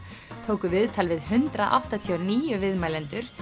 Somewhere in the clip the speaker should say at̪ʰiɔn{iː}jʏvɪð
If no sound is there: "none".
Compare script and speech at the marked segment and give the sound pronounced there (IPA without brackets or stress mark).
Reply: iː